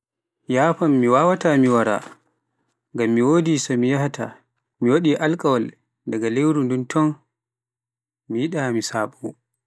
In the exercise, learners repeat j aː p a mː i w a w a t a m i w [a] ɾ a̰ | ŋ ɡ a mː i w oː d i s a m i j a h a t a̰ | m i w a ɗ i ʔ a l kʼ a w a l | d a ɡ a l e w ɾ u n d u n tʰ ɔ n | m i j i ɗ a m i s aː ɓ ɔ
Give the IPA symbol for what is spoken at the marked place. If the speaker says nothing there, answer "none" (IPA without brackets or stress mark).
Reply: a